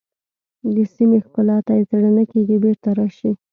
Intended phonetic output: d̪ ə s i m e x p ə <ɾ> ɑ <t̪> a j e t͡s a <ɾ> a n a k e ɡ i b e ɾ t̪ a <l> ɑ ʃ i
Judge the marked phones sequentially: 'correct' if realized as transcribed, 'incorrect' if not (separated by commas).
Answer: incorrect, correct, incorrect, incorrect